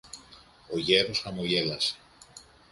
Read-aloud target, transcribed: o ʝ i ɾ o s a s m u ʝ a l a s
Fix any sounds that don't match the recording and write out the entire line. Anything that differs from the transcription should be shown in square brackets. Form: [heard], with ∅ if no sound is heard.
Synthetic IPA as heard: o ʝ [e] ɾ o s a [∅] m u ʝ [e] l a s